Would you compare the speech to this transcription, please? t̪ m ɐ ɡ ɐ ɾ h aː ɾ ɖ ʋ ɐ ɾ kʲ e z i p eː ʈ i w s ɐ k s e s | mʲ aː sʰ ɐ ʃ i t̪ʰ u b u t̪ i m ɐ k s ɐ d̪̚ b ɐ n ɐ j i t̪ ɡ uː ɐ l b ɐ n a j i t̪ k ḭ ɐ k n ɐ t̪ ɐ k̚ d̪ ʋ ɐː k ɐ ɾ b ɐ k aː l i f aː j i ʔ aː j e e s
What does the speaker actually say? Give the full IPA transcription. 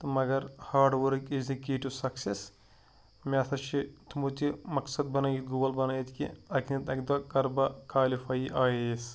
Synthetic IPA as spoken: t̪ m ɐ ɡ ɐ ɾ h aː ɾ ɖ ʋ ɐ ɾ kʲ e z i k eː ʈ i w s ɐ k s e s | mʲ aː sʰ ɐ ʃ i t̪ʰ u m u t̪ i m ɐ k s ɐ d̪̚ b ɐ n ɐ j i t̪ ɡ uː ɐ l b ɐ n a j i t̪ k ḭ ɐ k n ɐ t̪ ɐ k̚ d̪ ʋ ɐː k ɐ ɾ b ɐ k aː l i f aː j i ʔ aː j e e s